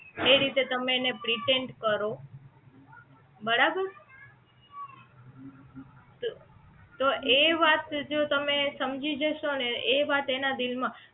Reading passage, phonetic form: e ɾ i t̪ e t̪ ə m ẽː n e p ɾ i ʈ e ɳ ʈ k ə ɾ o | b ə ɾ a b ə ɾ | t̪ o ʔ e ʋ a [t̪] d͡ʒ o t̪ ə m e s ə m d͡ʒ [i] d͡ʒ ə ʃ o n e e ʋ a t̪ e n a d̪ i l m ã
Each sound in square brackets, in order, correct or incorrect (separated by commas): correct, correct